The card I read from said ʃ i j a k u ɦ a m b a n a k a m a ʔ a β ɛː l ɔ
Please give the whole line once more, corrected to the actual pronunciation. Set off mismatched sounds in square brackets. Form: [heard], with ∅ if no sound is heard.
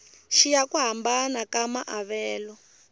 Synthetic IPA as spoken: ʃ i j a k u ɦ a m b a n a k a m a ʔ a β ɛː l ɔ